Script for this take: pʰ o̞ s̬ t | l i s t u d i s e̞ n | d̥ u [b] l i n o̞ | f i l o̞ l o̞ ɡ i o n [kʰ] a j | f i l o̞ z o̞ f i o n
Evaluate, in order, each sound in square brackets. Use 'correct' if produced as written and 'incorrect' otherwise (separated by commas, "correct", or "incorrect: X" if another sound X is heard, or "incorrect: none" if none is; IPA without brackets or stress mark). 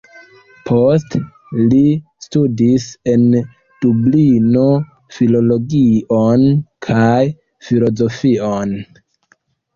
correct, correct